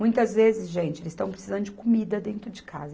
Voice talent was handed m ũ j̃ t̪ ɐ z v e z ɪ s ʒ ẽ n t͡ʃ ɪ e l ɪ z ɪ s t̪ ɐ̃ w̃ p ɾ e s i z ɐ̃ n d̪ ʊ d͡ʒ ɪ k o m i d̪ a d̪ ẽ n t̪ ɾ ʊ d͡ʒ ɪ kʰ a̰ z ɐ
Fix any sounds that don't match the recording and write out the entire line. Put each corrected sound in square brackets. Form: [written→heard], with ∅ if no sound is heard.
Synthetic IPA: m ũ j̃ t̪ ɐ z v e z ɪ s ʒ ẽ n t͡ʃ ɪ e l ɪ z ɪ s t̪ ɐ̃ w̃ p ɾ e s i z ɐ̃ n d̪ ʊ d͡ʒ ɪ k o m i d̪ [a→ɐ] d̪ ẽ n t̪ ɾ ʊ d͡ʒ ɪ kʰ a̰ z ɐ

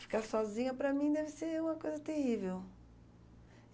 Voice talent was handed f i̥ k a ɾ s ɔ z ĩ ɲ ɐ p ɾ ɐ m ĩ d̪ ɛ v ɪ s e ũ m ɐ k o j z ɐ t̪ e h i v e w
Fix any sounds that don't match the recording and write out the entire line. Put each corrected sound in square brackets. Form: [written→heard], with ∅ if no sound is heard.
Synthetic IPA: f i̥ k a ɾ s ɔ z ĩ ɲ ɐ p ɾ ɐ m ĩ d̪ ɛ v ɪ s e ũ m ɐ k o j z ɐ t̪ e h i v e w

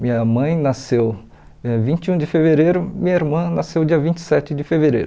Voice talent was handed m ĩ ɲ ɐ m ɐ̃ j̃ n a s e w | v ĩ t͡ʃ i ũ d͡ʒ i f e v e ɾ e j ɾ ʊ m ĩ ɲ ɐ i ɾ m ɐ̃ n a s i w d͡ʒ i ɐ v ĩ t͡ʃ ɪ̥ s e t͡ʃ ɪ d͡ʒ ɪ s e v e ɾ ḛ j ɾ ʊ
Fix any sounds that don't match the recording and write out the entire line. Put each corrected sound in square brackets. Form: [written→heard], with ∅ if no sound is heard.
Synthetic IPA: m ĩ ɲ ɐ m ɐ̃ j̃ n a s e w | v ĩ t͡ʃ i ũ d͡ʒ [i→ɪ] f e v e ɾ e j ɾ ʊ m ĩ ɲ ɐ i ɾ m ɐ̃ n a s [i→e] w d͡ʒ i ɐ v ĩ t͡ʃ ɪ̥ s [e→ɛ] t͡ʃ ɪ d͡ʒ ɪ [s→f] e v e ɾ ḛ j ɾ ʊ

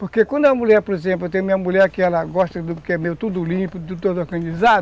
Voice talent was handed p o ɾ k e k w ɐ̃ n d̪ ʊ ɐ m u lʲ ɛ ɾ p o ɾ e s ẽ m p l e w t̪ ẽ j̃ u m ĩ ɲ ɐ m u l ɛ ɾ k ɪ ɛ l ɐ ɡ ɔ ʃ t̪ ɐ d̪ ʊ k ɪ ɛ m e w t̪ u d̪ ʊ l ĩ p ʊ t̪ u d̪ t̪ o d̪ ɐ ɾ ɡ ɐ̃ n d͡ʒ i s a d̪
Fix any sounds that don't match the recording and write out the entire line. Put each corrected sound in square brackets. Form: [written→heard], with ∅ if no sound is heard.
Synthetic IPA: p o ɾ k e k w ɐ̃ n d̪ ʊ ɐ m u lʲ ɛ ɾ p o ɾ e [s→z] ẽ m p l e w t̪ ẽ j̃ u m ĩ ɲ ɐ m u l ɛ ɾ k ɪ ɛ l ɐ ɡ ɔ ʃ t̪ ɐ d̪ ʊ k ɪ ɛ m e w t̪ u d̪ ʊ l ĩ p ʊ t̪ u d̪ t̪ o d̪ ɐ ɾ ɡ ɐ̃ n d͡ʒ i [s→z] a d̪

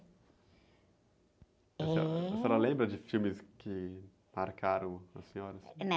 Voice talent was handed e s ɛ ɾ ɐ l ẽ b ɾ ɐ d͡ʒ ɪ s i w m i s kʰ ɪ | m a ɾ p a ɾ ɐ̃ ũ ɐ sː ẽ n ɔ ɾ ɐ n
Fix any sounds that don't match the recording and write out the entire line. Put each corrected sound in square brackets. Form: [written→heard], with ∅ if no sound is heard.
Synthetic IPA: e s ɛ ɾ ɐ l ẽ b ɾ ɐ d͡ʒ ɪ [s→f] i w m [i→ɪ] s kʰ ɪ | m a ɾ [p→k] a ɾ ɐ̃ [ũ→w̃] ɐ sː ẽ [n→ɲ] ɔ ɾ ɐ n

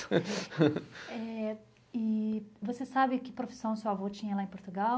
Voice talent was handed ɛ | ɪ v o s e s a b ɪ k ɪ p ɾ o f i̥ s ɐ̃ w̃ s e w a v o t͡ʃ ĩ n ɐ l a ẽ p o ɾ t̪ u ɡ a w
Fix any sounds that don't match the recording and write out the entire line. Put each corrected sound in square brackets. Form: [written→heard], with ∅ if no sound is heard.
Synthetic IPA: ɛ | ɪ v o s e s a b ɪ k ɪ p ɾ o f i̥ s ɐ̃ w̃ s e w a v o t͡ʃ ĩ [n→ɲ] ɐ l a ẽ p o ɾ t̪ u ɡ a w

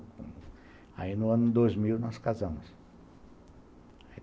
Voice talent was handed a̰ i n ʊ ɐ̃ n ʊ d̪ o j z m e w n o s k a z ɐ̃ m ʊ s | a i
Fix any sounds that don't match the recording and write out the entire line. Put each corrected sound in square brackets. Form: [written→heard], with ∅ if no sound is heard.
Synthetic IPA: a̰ i n ʊ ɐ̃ n ʊ d̪ o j z m [e→i] w n [o→ɔ] s k a z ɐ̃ m ʊ s | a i

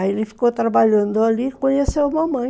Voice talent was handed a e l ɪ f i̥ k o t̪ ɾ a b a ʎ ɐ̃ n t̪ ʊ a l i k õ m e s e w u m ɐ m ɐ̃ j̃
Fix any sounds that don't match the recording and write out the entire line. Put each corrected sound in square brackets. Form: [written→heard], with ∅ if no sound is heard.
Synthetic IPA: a e l ɪ f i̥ k o t̪ ɾ a b a ʎ ɐ̃ n [t̪→d̪] ʊ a l i k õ [m→ɲ] e s e w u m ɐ m ɐ̃ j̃

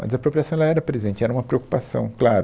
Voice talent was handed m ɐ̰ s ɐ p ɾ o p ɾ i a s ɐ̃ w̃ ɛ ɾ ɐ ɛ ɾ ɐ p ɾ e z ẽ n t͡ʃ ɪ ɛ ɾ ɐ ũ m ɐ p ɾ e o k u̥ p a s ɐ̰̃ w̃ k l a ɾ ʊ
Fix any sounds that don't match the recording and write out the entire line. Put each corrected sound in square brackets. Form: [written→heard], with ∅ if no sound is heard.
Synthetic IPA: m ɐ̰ [s→z] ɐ p ɾ o p ɾ i a s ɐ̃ w̃ ɛ [ɾ→l] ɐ ɛ ɾ ɐ p ɾ e z ẽ n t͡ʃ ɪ ɛ ɾ ɐ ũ m ɐ p ɾ e o k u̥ p a s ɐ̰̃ w̃ k l a ɾ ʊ

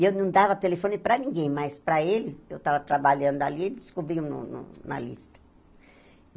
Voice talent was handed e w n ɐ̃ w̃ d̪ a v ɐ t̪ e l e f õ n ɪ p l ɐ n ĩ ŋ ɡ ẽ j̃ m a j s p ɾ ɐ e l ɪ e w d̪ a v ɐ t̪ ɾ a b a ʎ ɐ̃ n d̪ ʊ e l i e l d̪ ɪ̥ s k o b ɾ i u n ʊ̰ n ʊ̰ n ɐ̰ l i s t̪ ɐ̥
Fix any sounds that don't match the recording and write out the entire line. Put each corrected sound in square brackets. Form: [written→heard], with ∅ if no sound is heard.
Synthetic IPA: e w n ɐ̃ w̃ d̪ a v ɐ t̪ e l e f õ n ɪ p [l→ɾ] ɐ n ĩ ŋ ɡ ẽ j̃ m a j s p ɾ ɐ e l ɪ e w [d̪→t̪] a v ɐ t̪ ɾ a b a ʎ ɐ̃ n d̪ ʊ [e→a] l i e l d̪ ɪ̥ s k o b ɾ i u n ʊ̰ n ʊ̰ n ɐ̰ l i s t̪ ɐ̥

